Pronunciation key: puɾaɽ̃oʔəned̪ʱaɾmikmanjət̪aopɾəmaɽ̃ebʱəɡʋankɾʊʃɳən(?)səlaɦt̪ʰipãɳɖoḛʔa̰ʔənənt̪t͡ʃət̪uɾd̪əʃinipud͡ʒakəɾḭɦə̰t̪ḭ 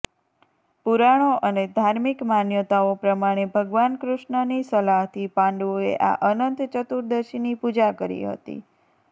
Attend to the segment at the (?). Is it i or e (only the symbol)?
i